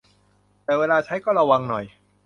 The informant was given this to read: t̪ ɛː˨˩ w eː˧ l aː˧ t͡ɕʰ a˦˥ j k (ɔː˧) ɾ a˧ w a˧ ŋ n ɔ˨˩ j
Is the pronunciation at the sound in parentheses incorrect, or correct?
incorrect: ɔː˥˩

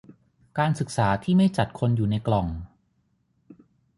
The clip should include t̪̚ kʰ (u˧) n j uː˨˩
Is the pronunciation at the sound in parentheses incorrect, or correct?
incorrect: o˧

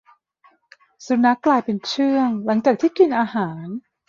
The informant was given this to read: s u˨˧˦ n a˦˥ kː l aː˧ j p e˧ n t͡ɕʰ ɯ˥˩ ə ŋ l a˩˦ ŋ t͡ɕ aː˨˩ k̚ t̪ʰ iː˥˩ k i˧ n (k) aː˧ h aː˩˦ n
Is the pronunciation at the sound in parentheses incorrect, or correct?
incorrect: ʔ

